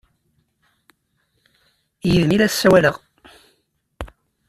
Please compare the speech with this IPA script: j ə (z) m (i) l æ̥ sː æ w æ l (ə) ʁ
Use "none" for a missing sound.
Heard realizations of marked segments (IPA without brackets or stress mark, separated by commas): ð, i, ə